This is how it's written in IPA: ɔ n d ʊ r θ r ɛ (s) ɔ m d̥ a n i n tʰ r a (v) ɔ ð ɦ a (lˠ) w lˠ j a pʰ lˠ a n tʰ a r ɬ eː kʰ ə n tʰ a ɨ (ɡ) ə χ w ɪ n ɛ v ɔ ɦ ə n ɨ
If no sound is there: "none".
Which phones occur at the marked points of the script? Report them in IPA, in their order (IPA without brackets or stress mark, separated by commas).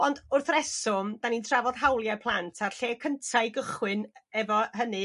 s, v, none, ɡ